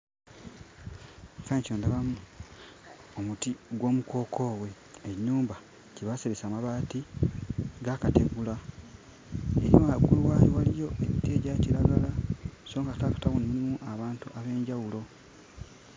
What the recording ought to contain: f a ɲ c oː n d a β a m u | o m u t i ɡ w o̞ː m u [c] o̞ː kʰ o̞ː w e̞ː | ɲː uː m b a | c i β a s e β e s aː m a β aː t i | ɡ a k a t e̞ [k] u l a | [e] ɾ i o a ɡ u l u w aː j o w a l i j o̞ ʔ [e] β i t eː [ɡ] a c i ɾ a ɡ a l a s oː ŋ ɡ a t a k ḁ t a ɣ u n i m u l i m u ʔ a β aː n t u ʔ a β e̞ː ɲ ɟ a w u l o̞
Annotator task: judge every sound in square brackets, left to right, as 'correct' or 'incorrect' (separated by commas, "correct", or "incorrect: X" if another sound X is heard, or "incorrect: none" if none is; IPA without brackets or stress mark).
incorrect: k, incorrect: ɡ, correct, correct, incorrect: ɟ